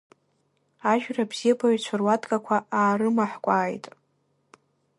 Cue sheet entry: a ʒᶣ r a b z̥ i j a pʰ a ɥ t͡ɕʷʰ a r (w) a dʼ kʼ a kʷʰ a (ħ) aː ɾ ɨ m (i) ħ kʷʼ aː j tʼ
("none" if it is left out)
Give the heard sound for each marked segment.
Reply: w, none, a

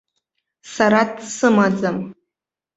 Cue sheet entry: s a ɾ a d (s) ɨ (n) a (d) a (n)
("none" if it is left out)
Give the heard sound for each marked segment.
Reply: s, m, d͡z, m

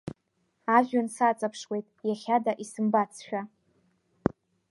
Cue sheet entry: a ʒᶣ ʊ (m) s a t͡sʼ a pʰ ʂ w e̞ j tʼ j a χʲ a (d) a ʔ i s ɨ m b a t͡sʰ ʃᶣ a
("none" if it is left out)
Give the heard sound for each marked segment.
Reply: n, d

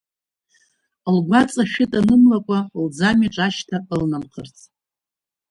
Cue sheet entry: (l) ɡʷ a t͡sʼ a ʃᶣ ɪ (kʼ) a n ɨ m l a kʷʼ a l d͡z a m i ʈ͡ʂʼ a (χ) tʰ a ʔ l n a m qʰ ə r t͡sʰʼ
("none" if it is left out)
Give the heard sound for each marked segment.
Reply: l, tʼ, ʃ

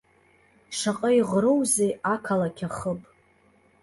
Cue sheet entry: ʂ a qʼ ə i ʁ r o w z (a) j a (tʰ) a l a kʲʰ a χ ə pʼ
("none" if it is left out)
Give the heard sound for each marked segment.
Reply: e, kʰ

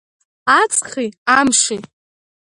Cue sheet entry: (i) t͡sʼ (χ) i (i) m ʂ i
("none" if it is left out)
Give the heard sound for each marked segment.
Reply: a, χ, a

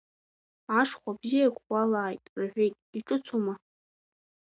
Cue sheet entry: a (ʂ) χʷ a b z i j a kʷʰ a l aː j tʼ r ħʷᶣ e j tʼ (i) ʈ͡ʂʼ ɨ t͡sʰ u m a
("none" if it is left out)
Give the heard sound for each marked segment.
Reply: ʂ, i

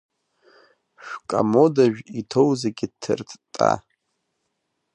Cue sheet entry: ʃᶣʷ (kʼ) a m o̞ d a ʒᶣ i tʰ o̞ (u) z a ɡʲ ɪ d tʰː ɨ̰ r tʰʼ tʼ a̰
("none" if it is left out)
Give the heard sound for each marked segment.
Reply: kʼ, w

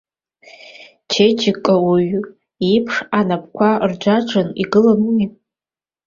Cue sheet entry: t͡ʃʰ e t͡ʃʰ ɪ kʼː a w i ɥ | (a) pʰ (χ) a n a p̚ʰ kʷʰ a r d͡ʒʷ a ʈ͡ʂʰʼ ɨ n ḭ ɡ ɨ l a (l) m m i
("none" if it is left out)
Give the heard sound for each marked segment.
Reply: i, ʂ, none

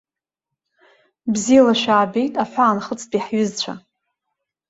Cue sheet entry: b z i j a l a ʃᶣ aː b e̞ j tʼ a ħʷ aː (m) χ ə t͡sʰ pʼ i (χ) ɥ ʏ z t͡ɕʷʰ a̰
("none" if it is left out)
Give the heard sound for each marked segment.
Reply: n, ħ

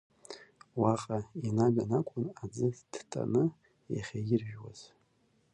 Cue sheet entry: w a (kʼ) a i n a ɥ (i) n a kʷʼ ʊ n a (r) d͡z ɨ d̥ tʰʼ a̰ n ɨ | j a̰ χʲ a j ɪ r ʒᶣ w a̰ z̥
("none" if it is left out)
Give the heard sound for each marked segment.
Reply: qʼ, a, none

